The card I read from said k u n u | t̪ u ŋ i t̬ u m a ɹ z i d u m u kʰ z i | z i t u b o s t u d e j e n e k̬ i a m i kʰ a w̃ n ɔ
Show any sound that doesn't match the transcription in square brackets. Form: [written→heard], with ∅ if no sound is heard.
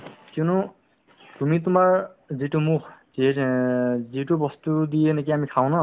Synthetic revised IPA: k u n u | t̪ u [ŋ→m] i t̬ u m a ɹ z i [d→t] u m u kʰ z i | z i t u b [o→ɔ] s t u d [e→i] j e n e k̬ i a m i kʰ a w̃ n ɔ